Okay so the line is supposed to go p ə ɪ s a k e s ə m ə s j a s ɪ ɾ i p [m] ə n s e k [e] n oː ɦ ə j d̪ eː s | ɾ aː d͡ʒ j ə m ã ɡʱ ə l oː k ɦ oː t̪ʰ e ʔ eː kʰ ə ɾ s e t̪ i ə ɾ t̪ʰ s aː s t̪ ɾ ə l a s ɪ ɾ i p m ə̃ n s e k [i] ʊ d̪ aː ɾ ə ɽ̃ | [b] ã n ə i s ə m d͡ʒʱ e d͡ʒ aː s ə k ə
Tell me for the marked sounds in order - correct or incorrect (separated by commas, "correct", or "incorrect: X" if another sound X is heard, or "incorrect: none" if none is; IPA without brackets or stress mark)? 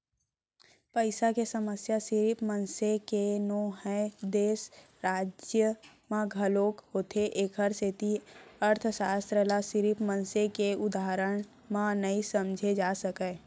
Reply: correct, correct, incorrect: e, incorrect: m